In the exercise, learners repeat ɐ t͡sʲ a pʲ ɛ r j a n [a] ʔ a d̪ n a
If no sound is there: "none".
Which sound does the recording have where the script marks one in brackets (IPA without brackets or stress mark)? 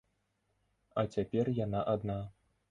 a